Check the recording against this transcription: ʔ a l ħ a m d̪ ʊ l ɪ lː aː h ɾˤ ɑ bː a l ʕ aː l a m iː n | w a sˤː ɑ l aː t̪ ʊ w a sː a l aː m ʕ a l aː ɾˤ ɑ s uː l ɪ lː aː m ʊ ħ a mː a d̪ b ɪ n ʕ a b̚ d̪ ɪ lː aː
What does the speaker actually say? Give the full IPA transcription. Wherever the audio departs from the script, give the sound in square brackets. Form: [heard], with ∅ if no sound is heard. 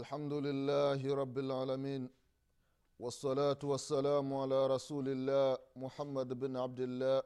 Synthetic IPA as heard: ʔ a l ħ a m d̪ ʊ l ɪ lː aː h ɾˤ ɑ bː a l ʕ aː l a m iː n | w [ɑ] sˤː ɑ l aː t̪ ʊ w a sː a l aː m ʕ a l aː ɾˤ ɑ s uː l ɪ lː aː m ʊ ħ a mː a d̪ b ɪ n ʕ a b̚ d̪ ɪ lː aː